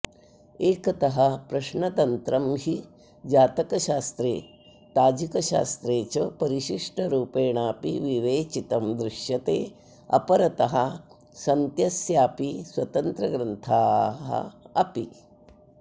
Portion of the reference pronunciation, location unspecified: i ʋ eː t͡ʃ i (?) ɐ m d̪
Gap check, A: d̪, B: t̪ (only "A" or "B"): B